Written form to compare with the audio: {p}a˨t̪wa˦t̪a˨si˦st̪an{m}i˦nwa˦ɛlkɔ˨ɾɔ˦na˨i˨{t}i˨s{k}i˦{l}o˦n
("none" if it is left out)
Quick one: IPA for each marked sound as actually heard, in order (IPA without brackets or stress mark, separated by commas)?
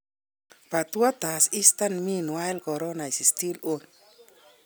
p, m, s, t, l